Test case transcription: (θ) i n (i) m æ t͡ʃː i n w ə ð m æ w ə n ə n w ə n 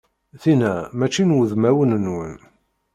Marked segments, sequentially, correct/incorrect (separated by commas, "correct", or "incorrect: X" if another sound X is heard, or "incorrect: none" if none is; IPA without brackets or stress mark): correct, incorrect: æ